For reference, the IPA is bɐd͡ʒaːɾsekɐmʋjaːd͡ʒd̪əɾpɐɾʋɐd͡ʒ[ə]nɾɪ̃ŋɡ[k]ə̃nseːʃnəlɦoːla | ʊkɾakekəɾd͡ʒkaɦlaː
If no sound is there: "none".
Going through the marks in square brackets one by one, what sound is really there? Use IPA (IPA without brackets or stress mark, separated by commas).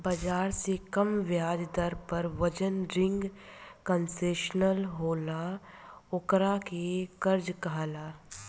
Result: ə, k